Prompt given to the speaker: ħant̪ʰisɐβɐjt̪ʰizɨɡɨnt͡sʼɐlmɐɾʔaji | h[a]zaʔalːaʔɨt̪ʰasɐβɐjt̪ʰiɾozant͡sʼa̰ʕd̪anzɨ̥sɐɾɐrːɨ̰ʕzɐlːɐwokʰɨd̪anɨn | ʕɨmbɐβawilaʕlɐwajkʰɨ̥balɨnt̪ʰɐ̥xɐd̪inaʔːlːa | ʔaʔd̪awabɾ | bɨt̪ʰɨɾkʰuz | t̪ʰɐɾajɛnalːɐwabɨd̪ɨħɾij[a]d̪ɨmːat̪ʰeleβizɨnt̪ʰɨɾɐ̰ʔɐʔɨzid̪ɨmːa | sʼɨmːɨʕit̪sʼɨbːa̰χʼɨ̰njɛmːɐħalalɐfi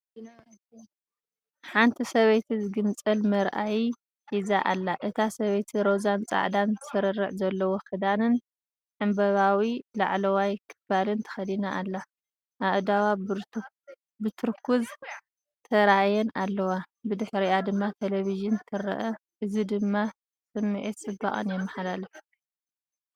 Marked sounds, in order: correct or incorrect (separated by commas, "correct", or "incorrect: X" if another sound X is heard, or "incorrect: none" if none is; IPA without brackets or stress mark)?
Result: incorrect: i, correct